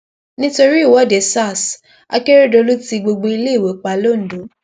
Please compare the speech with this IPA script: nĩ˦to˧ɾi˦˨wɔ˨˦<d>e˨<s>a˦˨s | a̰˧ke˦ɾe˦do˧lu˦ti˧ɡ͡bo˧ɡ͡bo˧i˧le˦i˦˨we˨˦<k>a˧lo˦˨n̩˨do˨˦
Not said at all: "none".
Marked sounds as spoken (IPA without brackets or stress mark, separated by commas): d, s, k͡p